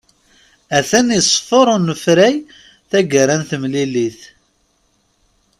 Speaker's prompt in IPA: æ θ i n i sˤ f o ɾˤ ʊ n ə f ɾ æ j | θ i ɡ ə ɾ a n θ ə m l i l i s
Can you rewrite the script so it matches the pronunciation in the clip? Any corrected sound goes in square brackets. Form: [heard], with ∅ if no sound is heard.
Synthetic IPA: æ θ [æ] n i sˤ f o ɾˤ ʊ n ə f ɾ æ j | θ [æ] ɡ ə ɾ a n θ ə m l i l i [θ]